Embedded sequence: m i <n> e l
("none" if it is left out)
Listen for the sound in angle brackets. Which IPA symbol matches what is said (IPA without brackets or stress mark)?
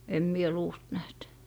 none